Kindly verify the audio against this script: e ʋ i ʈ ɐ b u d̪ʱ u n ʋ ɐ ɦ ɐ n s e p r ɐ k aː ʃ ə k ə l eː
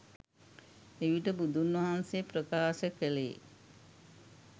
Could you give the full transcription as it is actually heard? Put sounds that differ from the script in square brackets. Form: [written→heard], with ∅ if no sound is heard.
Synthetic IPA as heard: e ʋ i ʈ [ɐ→ə] b u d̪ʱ u n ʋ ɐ ɦ [ɐ→a] n s e p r [ɐ→ə] k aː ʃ ə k ə l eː